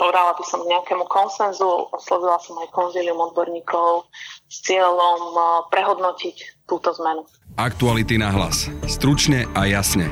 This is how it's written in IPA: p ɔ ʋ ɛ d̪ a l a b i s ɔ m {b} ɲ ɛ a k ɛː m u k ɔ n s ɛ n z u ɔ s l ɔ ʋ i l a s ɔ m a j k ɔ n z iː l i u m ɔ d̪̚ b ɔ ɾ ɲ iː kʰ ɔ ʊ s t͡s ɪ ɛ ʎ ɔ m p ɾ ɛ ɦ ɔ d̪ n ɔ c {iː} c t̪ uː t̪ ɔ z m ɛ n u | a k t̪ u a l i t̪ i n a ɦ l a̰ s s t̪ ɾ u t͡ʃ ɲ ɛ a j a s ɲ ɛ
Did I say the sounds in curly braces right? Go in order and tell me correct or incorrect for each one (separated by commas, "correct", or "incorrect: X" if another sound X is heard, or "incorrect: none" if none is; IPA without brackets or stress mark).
incorrect: ɡ, incorrect: i